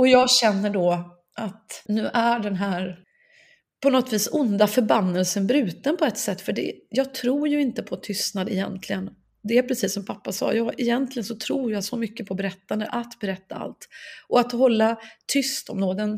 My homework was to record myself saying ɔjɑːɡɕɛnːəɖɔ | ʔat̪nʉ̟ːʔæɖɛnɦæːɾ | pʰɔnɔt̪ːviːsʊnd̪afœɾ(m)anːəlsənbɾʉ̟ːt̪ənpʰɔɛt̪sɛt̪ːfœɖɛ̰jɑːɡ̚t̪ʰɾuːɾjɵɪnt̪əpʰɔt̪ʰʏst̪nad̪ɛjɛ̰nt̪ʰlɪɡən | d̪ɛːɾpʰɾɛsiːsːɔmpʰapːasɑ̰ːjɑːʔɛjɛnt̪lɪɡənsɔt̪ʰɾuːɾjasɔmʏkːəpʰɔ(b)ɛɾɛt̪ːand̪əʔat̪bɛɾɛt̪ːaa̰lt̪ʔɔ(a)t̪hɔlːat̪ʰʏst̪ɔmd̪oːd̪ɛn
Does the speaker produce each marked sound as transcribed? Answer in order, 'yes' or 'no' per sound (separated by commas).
no, yes, yes